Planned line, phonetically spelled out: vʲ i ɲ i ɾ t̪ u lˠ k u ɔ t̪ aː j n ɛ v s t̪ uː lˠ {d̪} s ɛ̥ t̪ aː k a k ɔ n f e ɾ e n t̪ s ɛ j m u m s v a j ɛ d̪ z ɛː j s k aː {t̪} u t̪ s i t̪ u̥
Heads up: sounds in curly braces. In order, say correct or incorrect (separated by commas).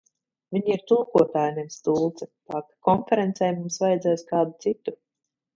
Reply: incorrect, incorrect